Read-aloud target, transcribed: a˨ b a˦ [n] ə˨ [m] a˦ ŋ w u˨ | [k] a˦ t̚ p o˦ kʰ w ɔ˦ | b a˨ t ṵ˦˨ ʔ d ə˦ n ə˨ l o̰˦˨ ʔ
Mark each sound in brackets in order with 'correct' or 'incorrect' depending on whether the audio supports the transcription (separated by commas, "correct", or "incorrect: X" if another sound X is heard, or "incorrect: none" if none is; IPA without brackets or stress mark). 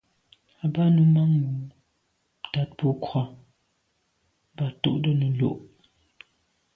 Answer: correct, correct, incorrect: t